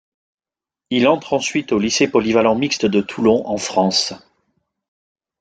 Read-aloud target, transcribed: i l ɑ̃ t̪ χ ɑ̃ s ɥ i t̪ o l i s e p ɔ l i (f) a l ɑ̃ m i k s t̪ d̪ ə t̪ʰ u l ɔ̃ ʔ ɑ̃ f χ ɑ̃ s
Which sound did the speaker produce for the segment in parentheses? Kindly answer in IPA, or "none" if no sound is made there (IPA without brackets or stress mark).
v